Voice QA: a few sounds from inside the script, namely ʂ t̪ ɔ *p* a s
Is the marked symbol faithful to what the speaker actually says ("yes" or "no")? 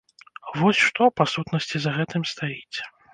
yes